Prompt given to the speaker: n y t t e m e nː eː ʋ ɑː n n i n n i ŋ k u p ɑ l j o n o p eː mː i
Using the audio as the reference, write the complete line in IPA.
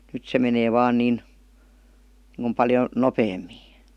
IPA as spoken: n y t s e m e n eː ʋ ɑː n n iː n n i ŋ k u p ɑ l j o n o p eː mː iː